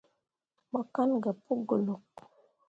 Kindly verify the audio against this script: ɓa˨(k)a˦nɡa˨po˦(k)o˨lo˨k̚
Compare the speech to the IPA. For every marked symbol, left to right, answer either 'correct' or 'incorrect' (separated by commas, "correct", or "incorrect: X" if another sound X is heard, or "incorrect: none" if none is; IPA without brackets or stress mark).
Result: correct, incorrect: ɡ